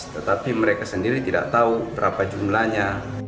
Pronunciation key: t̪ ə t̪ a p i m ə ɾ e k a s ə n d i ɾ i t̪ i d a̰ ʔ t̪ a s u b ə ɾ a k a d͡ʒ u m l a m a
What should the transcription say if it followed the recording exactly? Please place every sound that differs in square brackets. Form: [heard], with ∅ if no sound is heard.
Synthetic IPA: t̪ ə t̪ a p i m ə ɾ e k a s ə n d i ɾ i t̪ i d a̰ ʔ t̪ a [∅] u b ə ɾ a [p] a d͡ʒ u m l a [ɲ] a